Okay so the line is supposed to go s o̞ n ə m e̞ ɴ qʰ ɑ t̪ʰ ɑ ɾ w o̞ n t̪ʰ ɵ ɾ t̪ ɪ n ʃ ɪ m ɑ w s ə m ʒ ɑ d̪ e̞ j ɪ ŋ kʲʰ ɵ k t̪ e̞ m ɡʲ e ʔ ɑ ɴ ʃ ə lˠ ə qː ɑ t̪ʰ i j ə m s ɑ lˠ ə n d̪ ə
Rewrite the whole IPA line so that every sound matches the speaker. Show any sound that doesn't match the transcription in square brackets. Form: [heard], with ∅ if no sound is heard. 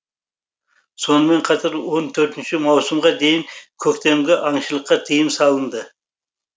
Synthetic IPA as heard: s o̞ n ə m e̞ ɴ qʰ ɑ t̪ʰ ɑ ɾ w o̞ n t̪ʰ ɵ ɾ t̪ ɪ n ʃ ɪ m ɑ w s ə m [ʁ] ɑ d̪ e̞ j ɪ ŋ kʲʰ ɵ k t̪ e̞ m ɡʲ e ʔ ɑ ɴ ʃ ə lˠ ə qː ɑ t̪ʰ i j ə m s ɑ lˠ ə n d̪ ə